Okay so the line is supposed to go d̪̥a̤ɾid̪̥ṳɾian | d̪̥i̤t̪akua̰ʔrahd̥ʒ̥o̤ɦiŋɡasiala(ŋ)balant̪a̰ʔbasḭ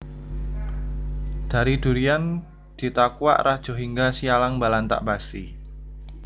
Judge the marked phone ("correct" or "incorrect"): correct